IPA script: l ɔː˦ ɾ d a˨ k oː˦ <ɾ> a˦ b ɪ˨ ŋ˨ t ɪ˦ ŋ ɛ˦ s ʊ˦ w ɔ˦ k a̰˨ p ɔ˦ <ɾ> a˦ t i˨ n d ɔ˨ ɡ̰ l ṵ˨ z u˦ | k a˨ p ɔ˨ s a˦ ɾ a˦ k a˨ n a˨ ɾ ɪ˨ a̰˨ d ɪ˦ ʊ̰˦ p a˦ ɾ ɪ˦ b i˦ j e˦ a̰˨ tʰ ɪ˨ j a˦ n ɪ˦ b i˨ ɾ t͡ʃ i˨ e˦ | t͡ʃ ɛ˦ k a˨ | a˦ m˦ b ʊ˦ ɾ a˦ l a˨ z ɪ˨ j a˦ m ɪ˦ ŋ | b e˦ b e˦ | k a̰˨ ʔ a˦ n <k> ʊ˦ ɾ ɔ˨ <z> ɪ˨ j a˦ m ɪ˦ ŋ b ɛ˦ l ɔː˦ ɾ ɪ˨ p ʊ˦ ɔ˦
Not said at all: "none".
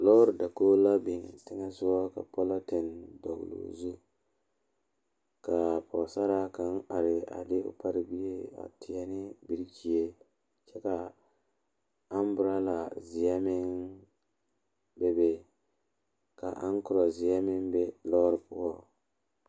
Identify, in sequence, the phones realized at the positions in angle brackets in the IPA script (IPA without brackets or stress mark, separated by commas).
l, l, k, z